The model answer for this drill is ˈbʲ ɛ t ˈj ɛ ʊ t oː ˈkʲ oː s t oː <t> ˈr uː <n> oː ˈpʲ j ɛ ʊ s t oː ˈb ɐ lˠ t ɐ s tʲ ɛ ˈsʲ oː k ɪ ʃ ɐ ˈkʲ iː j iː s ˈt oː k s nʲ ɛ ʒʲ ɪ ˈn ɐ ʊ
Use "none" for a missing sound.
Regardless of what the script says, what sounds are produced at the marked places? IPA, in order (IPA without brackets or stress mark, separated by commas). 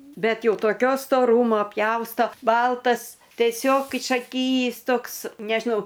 none, m